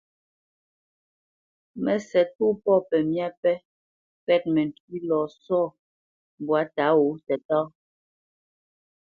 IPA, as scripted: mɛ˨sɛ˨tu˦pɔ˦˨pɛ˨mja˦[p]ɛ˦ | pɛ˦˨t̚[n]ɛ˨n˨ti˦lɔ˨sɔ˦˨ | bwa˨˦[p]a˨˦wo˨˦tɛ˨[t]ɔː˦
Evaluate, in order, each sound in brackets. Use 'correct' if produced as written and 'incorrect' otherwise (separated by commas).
correct, incorrect, incorrect, correct